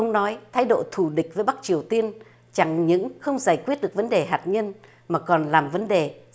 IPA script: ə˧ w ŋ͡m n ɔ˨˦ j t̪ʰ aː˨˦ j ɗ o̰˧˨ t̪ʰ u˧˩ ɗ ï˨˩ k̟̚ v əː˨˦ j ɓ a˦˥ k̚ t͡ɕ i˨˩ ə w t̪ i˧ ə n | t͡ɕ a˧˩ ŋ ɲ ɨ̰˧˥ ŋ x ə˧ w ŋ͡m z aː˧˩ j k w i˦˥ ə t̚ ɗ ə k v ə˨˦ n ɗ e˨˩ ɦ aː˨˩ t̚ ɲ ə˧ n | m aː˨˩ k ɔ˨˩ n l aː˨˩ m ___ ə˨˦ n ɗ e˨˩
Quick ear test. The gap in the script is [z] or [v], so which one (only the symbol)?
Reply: v